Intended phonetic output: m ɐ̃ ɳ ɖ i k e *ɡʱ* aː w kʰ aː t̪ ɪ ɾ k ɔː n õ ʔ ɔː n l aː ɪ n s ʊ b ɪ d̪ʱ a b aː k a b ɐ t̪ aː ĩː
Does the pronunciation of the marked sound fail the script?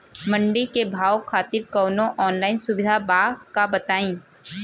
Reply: yes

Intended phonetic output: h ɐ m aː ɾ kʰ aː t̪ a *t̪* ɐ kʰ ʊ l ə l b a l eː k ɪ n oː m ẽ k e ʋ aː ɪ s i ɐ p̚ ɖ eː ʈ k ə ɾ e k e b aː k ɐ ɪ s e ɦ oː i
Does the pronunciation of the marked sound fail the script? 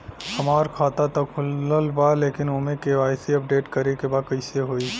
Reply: no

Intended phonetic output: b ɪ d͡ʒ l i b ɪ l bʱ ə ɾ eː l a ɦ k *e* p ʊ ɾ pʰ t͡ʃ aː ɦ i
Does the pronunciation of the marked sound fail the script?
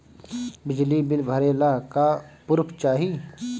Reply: yes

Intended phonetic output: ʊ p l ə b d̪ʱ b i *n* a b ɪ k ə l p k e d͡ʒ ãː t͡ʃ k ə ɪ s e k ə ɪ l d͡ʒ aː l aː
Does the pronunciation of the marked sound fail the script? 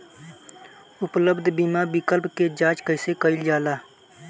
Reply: yes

